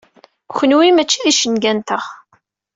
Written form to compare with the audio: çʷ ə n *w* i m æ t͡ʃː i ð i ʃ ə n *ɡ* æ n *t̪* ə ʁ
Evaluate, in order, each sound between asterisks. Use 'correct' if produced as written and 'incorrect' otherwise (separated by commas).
correct, correct, correct